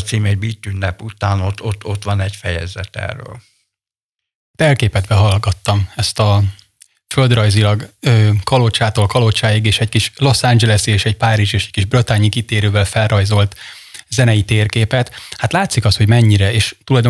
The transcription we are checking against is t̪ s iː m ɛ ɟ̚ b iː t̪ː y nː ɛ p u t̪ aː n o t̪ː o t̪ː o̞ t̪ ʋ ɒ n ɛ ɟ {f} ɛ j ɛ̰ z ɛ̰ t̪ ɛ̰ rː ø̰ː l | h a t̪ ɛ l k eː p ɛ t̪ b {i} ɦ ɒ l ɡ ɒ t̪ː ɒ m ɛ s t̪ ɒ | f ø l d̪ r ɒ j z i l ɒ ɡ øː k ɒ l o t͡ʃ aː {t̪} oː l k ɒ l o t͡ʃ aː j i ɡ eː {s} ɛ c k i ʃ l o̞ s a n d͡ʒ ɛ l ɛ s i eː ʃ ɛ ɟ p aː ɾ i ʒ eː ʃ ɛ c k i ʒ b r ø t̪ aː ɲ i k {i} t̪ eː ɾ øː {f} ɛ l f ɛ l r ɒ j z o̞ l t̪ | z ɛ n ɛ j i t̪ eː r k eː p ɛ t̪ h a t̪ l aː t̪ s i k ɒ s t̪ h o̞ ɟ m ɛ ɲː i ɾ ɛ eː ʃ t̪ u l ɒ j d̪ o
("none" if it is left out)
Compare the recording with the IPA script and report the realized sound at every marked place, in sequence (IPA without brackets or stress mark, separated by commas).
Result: f, ɛ, t̪, ʃ, i, v